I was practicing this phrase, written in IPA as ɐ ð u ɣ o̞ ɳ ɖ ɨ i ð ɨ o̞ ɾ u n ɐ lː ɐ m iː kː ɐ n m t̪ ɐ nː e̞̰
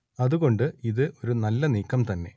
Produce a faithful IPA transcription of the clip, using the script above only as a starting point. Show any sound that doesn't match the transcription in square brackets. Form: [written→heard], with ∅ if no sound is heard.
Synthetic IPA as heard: ɐ ð u ɣ o̞ ɳ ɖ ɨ i ð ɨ o̞ ɾ u n ɐ lː ɐ [m→n] iː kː ɐ [n→∅] m t̪ ɐ nː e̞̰